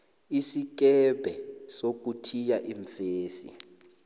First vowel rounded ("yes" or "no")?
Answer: no